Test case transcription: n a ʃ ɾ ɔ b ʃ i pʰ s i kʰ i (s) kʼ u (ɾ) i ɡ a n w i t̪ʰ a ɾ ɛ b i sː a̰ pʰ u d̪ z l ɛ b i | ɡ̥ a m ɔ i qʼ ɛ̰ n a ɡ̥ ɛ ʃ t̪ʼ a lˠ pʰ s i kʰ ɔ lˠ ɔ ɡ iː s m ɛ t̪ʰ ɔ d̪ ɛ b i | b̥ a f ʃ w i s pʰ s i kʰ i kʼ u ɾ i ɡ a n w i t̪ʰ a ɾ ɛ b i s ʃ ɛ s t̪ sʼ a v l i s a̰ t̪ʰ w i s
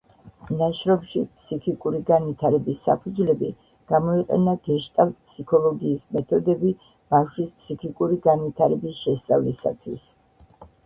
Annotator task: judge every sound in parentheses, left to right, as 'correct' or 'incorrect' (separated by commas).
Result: incorrect, correct